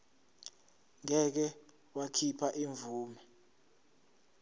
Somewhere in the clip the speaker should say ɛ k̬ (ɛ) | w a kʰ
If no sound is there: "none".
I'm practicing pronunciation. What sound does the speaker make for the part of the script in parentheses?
ɛ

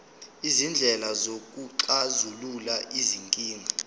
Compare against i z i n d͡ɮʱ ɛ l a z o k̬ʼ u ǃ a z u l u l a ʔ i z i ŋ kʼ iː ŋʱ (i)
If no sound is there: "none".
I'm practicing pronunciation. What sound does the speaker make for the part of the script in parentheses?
a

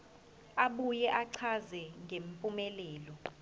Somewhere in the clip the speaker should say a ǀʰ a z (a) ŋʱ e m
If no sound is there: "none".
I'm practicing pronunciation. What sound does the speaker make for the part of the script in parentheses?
ɛ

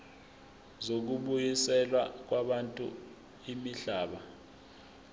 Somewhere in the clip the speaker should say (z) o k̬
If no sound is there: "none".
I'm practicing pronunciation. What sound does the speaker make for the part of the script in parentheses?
z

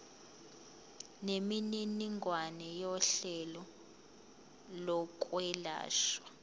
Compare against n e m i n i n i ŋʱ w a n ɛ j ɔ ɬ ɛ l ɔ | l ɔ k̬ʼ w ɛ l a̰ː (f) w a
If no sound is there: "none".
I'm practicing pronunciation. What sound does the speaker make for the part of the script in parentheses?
ʃ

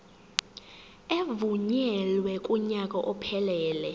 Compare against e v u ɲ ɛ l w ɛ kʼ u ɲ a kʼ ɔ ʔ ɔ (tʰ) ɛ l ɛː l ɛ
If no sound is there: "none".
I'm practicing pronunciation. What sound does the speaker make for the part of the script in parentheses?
pʰ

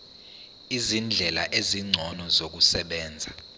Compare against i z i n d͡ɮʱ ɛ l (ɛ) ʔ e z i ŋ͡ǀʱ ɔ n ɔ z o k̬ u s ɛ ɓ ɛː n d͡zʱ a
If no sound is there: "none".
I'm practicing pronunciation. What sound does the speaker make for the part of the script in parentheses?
a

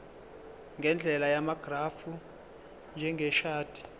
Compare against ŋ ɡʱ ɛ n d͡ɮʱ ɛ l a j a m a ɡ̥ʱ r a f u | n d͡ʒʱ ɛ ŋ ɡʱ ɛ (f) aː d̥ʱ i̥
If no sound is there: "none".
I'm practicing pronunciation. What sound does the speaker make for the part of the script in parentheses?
ʃ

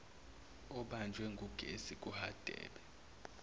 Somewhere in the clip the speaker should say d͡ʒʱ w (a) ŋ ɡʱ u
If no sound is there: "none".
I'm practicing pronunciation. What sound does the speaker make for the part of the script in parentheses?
ɛ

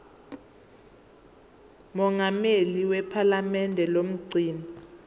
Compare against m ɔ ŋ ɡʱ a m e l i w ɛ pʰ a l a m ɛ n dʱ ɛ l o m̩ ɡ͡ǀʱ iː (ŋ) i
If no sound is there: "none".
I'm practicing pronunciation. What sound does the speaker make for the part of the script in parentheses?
n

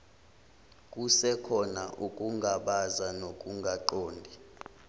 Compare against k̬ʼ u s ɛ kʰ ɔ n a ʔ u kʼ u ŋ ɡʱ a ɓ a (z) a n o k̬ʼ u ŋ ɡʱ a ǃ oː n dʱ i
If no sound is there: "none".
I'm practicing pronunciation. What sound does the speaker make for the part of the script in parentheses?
z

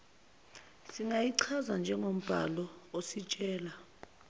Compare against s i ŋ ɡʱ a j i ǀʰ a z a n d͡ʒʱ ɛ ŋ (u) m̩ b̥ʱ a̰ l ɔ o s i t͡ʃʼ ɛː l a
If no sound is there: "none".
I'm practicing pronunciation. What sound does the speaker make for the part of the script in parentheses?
o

